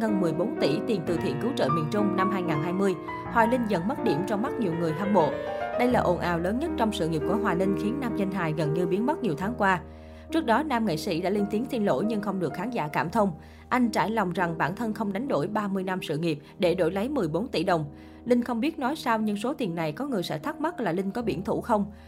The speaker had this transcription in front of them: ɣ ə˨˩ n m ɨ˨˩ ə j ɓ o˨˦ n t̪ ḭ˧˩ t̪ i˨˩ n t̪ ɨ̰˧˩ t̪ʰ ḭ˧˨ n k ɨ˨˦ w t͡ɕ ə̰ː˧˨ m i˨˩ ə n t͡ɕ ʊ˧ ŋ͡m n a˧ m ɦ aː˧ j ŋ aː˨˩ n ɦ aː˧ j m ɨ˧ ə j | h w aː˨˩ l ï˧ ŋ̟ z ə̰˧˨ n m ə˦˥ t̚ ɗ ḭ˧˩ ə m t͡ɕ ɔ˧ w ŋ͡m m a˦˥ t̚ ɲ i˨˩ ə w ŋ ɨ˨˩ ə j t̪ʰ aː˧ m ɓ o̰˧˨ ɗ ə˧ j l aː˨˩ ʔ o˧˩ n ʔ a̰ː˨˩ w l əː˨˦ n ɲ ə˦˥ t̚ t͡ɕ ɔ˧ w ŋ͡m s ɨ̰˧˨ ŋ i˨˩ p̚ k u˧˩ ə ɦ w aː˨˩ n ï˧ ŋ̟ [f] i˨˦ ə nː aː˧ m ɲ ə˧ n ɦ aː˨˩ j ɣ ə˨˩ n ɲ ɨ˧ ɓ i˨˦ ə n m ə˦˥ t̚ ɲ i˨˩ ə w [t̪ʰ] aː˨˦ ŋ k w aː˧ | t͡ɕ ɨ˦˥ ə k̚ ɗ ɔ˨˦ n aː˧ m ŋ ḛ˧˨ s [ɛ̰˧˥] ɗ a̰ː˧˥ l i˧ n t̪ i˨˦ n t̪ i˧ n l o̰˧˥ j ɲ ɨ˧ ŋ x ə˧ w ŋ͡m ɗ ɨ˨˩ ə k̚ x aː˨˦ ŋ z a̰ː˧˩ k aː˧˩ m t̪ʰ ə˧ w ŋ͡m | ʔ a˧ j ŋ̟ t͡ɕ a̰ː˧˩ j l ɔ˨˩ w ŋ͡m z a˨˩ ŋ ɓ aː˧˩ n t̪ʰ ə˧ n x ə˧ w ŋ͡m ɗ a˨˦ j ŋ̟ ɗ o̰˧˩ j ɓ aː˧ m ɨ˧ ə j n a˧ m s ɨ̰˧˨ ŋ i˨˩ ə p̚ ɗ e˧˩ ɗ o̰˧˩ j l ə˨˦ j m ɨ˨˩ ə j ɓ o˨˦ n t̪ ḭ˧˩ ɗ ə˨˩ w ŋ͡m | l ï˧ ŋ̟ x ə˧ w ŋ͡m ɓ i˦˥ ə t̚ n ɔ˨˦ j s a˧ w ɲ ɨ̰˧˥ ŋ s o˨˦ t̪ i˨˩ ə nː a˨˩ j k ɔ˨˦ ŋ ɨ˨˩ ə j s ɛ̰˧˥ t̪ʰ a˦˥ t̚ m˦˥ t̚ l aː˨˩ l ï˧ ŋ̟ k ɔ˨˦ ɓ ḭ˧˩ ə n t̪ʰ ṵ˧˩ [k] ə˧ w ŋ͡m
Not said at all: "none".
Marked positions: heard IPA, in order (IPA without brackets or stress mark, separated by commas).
x, t̪ʰ, ḭ˧˥, x